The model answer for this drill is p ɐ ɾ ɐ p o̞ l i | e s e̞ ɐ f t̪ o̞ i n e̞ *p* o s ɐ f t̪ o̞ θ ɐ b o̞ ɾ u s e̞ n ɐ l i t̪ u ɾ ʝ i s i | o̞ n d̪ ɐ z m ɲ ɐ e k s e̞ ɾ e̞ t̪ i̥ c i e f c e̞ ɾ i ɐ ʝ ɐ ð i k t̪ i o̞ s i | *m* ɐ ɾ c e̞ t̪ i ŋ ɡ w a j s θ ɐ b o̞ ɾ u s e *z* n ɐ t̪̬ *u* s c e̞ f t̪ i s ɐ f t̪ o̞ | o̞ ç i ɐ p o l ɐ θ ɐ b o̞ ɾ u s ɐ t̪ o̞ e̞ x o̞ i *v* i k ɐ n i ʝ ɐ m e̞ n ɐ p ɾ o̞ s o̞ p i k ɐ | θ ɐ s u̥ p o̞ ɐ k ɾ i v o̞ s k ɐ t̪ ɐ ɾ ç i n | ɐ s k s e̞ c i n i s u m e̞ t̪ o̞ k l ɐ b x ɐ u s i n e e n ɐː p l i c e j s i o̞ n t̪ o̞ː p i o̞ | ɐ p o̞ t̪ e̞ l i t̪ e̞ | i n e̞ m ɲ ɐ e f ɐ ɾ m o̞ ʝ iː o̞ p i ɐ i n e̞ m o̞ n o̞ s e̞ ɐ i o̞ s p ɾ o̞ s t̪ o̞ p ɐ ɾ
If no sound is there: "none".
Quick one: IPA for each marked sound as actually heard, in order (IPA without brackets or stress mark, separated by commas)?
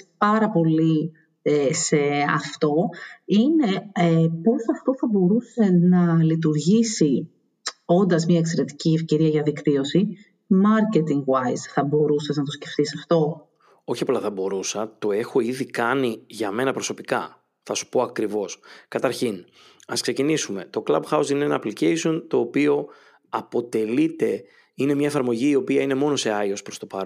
p, m, z, o, ð